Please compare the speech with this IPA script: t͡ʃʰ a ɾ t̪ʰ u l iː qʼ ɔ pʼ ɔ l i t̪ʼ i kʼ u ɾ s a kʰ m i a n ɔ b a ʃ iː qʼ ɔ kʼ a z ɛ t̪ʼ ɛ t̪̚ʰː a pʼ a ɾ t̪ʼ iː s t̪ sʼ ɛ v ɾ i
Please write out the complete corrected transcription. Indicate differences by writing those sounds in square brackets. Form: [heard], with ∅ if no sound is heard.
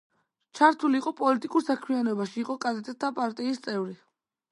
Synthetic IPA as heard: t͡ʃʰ a ɾ t̪ʰ u l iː qʼ ɔ pʼ ɔ l i t̪ʼ i kʼ u ɾ s a kʰ m i a n ɔ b a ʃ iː qʼ ɔ kʼ a z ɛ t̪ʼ ɛ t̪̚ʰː a pʼ a ɾ t̪ʼ iː s t̪ sʼ ɛ v ɾ i